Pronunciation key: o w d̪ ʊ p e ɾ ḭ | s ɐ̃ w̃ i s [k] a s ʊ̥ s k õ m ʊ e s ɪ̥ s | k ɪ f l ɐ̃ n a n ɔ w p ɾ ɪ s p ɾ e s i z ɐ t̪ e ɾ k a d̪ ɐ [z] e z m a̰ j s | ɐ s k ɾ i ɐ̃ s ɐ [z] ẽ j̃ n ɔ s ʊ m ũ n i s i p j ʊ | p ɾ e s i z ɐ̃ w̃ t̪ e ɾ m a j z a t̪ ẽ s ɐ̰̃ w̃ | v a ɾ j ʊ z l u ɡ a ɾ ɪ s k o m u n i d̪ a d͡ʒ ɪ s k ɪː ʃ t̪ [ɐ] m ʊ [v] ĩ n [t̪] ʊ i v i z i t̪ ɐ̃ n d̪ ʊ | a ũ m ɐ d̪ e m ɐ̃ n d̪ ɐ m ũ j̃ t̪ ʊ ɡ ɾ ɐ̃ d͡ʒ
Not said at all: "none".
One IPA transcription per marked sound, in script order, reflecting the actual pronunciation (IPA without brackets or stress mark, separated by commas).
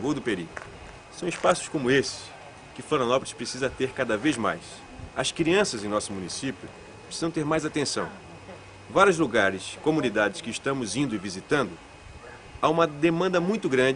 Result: p, v, z, ɐ̃, z, d̪